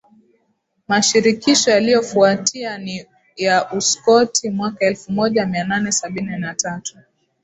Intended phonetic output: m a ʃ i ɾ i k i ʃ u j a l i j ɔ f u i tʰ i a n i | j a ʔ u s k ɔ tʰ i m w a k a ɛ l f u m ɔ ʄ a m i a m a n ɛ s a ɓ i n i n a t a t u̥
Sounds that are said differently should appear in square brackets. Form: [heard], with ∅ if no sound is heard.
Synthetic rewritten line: m a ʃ i ɾ i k i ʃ [ɔ] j a l i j ɔ f u [a] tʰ i a n i | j a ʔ u s k ɔ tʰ i m w a k a ɛ l f u m ɔ ʄ a m i a [n] a n ɛ s a ɓ i n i n a t a t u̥